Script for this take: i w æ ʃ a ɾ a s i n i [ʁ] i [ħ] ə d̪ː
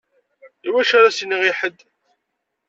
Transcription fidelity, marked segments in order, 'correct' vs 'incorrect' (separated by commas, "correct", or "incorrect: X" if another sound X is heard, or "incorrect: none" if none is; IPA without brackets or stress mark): correct, correct